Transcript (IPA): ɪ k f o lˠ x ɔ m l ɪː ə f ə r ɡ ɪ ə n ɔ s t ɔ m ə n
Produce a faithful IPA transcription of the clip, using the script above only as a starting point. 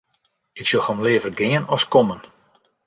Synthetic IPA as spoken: ɪ k s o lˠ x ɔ m l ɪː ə v ə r ɡ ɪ ə n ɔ s k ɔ m ə n